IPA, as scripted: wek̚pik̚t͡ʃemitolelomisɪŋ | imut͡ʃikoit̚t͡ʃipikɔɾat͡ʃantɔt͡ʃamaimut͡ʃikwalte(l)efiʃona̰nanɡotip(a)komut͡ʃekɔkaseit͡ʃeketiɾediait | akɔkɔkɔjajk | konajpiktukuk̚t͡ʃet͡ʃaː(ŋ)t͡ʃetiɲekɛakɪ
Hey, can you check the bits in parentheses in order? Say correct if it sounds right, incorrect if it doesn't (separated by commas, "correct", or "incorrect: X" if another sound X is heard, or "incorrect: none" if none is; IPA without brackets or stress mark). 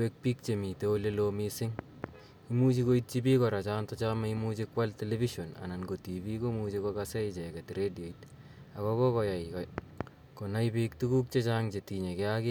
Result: correct, incorrect: i, correct